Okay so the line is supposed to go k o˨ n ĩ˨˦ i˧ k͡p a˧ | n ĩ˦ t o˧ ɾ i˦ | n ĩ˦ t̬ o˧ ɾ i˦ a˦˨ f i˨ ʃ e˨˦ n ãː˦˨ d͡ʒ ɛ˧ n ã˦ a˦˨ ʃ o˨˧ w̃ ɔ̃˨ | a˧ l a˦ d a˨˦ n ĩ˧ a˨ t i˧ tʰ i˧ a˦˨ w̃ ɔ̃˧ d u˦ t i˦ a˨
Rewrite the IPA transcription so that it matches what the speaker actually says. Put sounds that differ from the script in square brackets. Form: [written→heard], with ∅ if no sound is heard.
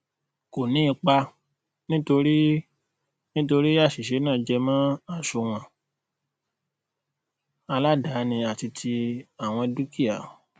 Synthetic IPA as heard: k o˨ n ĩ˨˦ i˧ k͡p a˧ | n ĩ˦ t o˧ ɾ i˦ | n ĩ˦ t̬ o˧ ɾ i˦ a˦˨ [f→ʃ] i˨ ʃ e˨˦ n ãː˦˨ d͡ʒ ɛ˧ [n→m] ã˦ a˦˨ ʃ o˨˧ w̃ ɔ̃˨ | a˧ l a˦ d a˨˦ n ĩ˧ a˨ t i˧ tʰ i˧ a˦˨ w̃ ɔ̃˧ d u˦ [t→k] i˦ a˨